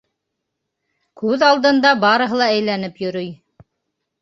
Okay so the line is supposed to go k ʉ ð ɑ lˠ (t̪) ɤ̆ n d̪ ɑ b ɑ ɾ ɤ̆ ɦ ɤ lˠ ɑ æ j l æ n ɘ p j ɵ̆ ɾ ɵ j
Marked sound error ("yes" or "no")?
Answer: yes